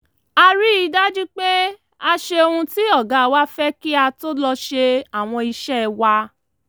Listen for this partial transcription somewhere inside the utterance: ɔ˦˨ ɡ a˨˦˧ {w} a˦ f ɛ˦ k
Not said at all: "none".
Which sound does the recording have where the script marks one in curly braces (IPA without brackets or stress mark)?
w